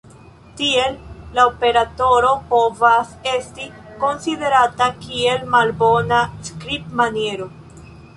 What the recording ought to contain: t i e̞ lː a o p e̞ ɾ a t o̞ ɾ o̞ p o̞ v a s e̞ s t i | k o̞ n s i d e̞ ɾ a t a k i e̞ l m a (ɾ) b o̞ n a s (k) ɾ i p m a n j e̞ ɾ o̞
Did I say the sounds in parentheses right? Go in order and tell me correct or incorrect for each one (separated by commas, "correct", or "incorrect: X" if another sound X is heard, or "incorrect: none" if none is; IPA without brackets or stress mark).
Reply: incorrect: l, correct